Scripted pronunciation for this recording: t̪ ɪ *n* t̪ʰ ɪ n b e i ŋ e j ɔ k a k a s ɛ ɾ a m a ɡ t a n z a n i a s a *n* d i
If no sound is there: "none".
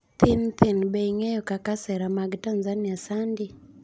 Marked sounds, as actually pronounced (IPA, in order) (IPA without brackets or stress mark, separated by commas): n, n